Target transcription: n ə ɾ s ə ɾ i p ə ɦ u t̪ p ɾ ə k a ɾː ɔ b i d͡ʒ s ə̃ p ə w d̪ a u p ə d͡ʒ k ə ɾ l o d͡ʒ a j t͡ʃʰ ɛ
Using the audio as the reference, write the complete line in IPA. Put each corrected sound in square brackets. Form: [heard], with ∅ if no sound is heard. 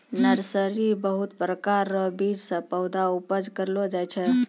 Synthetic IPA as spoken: n ə ɾ s ə ɾ i [b] ə ɦ u t̪ p ɾ ə k a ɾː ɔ b i d͡ʒ s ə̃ p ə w d̪ a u p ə d͡ʒ k ə ɾ l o d͡ʒ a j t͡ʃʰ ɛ